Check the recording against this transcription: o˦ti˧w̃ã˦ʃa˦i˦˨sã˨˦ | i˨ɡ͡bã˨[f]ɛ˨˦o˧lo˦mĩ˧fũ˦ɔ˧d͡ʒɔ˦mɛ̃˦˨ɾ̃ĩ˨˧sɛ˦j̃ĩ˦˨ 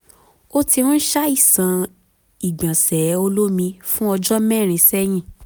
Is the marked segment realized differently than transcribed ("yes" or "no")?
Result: yes